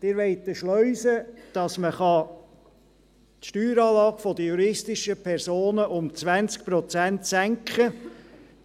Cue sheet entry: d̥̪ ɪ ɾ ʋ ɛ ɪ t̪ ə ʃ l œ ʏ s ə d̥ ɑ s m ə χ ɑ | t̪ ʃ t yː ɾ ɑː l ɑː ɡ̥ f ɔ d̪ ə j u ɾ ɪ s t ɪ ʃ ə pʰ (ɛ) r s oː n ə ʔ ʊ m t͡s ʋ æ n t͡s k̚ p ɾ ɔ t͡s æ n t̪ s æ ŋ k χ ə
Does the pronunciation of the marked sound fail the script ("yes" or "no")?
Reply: no